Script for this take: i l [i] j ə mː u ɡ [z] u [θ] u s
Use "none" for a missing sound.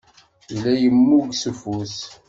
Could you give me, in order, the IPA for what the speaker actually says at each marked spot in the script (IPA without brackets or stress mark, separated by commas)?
æ, s, f